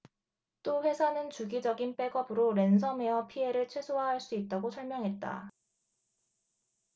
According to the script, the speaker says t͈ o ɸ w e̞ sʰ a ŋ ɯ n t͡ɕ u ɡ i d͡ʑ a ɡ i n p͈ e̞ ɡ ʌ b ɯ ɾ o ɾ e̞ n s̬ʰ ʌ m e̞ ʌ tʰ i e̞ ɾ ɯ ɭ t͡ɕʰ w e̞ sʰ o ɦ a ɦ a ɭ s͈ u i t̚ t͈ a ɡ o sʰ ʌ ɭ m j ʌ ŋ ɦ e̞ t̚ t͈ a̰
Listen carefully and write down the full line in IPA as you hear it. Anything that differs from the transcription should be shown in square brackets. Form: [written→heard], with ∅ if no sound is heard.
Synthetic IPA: t͈ o ɸ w e̞ sʰ a [ŋ→n] ɯ n t͡ɕ u ɡ i d͡ʑ [a→ʌ] ɡ i n p͈ e̞ ɡ ʌ b ɯ ɾ o ɾ e̞ n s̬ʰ ʌ m e̞ ʌ [tʰ→pʰ] i e̞ ɾ ɯ ɭ t͡ɕʰ w e̞ sʰ o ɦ a ɦ a ɭ s͈ u i t̚ t͈ a ɡ o sʰ ʌ ɭ m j ʌ ŋ ɦ e̞ t̚ t͈ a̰